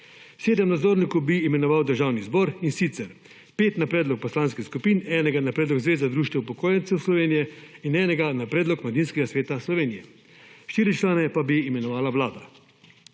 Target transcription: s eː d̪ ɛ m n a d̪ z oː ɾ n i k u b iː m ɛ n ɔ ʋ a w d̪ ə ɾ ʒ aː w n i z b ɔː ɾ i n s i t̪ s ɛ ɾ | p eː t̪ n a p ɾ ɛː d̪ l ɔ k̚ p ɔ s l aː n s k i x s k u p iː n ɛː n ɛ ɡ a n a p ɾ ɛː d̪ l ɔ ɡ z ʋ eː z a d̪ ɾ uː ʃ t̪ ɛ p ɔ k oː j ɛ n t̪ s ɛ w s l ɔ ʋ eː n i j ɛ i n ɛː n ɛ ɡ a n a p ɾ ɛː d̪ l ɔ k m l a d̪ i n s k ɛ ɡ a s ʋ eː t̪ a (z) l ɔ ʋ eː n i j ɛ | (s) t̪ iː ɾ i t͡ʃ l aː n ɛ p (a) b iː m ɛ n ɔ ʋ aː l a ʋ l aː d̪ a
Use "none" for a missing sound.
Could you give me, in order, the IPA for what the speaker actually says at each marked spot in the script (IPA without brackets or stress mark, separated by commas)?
s, ʃ, a